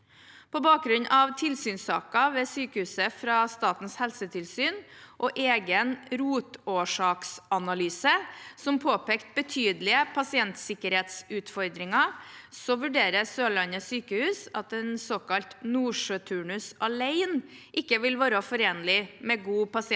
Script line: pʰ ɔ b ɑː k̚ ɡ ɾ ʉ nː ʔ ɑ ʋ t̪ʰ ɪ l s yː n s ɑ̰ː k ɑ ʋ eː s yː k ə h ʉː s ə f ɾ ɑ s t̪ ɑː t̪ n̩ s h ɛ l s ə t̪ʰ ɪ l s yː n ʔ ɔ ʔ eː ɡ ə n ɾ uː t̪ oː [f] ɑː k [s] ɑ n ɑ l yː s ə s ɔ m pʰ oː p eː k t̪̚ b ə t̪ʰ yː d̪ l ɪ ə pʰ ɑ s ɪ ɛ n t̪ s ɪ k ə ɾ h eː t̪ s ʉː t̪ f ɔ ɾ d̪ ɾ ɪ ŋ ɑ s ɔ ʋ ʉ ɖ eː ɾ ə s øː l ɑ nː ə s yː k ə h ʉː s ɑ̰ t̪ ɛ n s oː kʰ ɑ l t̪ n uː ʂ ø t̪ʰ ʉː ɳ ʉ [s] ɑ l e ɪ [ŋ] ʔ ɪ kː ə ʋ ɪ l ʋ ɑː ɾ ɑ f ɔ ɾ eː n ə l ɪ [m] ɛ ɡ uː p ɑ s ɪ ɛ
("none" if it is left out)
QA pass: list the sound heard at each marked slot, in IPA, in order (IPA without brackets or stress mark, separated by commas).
ʂ, s, s, n, m